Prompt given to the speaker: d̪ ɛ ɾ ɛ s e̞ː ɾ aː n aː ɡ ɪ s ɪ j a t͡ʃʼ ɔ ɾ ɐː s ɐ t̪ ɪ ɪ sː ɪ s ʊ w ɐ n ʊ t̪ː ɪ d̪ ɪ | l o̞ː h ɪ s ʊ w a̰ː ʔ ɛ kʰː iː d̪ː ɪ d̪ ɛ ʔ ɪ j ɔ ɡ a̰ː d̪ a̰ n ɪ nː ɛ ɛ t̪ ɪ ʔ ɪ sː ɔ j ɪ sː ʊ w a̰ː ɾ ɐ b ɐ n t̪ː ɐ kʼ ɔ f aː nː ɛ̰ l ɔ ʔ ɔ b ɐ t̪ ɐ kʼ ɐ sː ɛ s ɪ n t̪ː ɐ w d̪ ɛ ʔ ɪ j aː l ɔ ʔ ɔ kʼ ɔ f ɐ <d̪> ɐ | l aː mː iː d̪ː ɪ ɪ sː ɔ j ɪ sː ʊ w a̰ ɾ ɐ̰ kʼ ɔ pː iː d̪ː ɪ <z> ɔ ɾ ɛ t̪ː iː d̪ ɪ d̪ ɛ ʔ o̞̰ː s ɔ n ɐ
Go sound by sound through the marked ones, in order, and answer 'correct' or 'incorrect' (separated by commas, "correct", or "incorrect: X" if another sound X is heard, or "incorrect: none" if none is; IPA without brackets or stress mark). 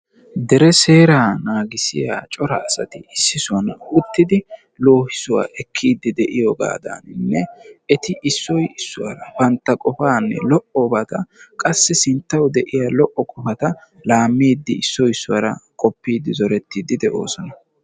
incorrect: t̪, correct